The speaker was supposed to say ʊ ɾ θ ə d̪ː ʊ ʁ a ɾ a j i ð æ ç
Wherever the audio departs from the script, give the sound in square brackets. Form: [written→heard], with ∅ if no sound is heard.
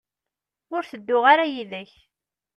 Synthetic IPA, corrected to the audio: ʊ ɾ θ ə d̪ː ʊ ʁ a ɾ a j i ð æ ç